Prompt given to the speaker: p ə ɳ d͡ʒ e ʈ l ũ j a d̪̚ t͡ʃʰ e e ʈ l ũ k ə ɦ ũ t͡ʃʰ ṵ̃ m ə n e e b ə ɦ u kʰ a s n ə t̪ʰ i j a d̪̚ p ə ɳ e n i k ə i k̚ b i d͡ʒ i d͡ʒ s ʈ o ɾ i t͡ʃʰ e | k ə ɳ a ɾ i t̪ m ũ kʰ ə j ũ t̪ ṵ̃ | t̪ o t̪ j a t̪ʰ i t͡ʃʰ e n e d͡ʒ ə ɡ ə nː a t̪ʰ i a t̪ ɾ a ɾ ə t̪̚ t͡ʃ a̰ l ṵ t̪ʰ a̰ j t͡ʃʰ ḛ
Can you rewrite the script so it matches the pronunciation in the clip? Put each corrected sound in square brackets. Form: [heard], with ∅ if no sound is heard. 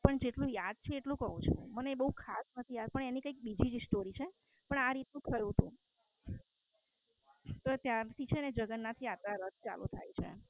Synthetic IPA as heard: p ə ɳ d͡ʒ e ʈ l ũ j a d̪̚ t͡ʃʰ e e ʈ l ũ k ə ɦ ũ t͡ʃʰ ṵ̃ m ə n e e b ə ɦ u kʰ a s n ə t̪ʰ i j a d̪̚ p ə ɳ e n i k ə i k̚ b i d͡ʒ i d͡ʒ s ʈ o ɾ i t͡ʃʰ e | [p] ə ɳ a ɾ i t̪ [n] ũ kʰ ə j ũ t̪ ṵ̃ | t̪ o t̪ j a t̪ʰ i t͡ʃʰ e n e d͡ʒ ə ɡ ə nː a t̪ʰ i a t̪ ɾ a ɾ ə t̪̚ t͡ʃ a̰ l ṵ t̪ʰ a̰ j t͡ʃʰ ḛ